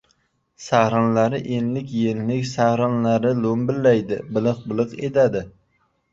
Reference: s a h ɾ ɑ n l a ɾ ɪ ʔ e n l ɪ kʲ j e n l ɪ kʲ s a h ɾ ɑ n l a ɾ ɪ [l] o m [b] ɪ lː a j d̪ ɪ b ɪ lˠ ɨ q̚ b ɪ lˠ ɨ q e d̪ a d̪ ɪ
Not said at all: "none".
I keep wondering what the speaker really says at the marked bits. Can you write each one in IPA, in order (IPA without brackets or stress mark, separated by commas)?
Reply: l, b